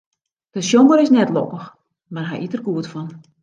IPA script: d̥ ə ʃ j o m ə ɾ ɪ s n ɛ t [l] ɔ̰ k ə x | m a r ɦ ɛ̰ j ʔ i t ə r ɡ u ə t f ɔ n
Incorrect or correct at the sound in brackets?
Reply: correct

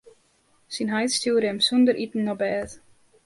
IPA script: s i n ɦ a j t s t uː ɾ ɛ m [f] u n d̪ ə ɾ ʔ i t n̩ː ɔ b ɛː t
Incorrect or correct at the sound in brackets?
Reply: incorrect: s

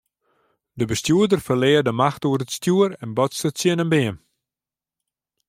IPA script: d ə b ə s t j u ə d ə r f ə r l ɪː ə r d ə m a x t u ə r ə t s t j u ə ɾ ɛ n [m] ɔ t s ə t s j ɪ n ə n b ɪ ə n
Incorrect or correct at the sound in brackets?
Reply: incorrect: b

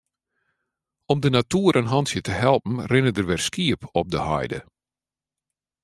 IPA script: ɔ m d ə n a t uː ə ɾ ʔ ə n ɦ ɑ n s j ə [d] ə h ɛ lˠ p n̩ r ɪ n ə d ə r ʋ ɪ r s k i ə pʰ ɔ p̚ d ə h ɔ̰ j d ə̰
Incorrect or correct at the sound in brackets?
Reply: incorrect: t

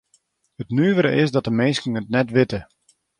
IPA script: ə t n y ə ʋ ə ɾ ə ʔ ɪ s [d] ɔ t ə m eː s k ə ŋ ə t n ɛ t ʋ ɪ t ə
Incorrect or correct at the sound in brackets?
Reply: correct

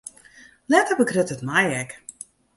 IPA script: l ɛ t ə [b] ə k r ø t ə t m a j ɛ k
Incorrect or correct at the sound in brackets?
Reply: correct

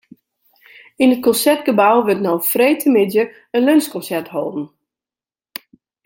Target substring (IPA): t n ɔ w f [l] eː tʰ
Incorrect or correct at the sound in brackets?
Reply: incorrect: r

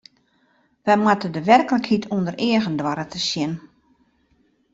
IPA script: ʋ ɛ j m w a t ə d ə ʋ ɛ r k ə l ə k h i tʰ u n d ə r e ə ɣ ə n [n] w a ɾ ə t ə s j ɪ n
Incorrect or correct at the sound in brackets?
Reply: incorrect: d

